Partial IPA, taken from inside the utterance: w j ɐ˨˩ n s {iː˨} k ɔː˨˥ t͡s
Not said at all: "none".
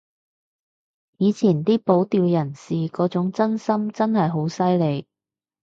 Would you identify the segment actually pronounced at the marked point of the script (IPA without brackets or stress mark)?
iː˨